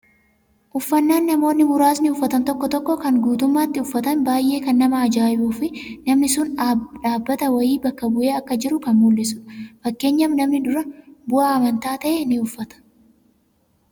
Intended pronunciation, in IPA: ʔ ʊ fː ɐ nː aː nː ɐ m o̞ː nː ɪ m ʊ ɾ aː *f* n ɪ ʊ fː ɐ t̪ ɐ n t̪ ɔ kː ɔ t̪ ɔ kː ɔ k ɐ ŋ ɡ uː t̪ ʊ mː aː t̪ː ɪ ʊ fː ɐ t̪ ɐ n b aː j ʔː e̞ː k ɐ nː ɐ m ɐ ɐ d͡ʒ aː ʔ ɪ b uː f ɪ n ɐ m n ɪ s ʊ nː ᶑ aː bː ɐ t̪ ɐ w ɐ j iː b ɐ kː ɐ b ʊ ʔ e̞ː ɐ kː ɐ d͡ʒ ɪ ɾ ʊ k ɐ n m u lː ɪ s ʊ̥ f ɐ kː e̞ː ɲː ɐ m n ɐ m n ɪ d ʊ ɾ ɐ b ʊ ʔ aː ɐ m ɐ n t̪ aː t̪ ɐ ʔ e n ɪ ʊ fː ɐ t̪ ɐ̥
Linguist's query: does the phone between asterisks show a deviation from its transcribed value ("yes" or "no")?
yes